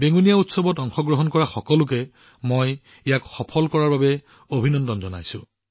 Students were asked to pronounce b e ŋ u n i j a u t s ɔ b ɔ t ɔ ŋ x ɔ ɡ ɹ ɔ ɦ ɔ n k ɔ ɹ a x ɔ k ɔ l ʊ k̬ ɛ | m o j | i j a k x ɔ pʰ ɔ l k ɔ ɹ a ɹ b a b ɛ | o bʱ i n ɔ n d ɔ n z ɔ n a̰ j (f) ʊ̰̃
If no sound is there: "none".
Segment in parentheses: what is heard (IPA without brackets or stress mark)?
s